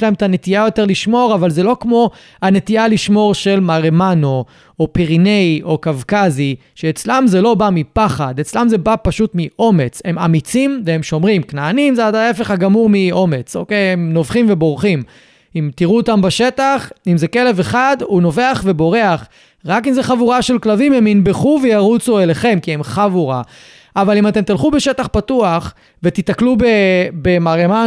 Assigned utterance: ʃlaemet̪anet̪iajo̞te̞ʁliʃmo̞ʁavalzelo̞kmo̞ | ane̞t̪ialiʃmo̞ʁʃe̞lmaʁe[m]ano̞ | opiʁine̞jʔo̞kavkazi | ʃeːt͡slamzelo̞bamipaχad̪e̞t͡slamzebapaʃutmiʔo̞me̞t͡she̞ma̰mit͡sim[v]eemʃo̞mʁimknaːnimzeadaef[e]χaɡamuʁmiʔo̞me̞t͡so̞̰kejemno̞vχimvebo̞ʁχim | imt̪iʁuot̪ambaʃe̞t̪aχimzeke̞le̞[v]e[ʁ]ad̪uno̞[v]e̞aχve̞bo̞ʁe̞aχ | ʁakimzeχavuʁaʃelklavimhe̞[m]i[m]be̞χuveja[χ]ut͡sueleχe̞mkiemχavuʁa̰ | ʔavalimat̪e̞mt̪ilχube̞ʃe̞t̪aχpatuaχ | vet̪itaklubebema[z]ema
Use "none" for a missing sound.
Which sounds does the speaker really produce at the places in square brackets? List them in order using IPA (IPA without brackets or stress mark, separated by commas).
m, v, e, v, χ, v, m, n, ʁ, ʁ